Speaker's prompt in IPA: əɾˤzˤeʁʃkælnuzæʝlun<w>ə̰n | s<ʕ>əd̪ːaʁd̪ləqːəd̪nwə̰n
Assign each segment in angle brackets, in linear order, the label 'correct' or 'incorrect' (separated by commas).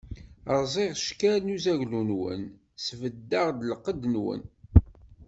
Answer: correct, incorrect